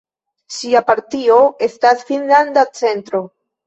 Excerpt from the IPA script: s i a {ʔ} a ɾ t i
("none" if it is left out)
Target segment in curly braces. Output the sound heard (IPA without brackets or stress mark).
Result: p